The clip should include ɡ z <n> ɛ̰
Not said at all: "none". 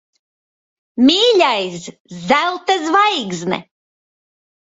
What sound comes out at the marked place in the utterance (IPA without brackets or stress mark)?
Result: n